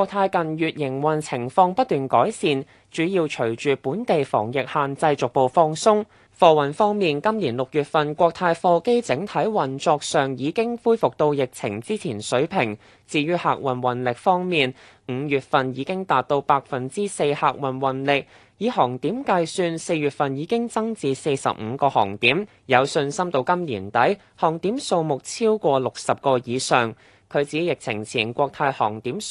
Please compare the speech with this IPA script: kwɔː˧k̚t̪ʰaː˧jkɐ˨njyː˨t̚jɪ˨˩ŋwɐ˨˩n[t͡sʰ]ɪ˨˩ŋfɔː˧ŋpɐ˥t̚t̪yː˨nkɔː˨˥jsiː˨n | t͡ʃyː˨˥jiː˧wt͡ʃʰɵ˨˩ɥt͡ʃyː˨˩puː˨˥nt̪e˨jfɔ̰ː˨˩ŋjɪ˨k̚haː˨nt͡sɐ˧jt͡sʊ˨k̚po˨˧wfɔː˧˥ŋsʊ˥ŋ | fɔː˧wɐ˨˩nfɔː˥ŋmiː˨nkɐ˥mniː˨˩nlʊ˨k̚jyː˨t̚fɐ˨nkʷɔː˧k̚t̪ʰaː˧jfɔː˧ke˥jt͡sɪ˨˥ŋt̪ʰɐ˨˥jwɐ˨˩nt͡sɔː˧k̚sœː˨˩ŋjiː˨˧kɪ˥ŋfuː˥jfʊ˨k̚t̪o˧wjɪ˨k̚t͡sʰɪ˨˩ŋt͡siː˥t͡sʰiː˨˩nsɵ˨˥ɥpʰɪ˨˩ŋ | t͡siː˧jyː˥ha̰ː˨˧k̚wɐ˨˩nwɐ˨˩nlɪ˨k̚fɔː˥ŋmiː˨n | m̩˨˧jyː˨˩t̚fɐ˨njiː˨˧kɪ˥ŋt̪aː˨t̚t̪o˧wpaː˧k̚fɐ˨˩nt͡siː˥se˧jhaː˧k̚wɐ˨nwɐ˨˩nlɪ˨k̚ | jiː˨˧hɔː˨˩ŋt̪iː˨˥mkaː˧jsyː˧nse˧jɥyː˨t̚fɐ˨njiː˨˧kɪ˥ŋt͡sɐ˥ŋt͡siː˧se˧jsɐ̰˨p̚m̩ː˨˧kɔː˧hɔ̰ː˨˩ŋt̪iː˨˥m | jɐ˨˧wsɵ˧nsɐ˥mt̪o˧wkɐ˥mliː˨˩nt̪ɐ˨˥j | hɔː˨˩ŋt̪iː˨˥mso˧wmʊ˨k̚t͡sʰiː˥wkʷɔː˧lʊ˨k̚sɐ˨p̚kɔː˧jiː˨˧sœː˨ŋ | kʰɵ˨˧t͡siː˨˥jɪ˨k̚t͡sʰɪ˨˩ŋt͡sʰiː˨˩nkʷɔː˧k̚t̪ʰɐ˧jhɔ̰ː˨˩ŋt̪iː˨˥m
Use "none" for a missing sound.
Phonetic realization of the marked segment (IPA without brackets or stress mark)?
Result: t͡sʰ